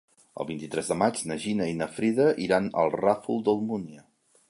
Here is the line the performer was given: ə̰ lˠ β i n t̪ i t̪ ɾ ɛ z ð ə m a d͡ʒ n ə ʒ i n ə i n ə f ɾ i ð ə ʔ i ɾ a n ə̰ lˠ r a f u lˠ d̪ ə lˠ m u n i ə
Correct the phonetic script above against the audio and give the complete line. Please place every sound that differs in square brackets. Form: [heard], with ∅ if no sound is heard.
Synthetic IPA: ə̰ lˠ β i n t̪ i t̪ ɾ ɛ z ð ə m a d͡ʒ n ə ʒ i n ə i n ə f ɾ i ð ə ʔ i ɾ a n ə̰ lˠ r a f u lˠ d̪ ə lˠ m u n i ə